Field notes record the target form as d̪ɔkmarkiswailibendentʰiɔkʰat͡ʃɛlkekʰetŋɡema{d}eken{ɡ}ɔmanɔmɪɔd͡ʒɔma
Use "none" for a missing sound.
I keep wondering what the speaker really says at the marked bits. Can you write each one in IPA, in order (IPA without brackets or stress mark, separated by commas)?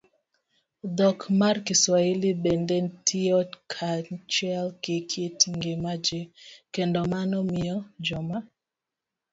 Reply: d͡ʒ, d